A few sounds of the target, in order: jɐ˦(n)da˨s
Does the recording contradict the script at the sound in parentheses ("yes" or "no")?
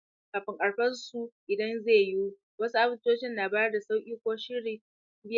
yes